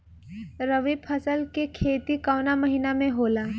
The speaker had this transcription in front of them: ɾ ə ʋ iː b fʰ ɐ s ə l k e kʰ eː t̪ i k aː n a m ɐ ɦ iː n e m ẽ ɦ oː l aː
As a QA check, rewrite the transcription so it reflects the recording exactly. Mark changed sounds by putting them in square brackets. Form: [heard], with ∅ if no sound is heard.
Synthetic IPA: ɾ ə ʋ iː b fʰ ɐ s ə l k e kʰ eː t̪ i k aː n a m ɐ ɦ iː n [a] m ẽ ɦ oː l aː